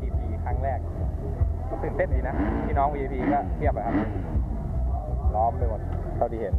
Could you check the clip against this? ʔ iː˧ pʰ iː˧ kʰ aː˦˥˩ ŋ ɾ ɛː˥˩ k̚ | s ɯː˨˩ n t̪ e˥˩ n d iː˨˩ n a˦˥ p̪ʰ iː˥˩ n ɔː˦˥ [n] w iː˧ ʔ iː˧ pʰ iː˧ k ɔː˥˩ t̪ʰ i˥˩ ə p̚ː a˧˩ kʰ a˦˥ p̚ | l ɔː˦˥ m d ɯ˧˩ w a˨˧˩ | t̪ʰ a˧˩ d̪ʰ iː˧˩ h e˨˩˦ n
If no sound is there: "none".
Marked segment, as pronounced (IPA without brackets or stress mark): ŋ